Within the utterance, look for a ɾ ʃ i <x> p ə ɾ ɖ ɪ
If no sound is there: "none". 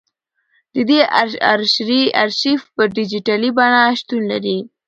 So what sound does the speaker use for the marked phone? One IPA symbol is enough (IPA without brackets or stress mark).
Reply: f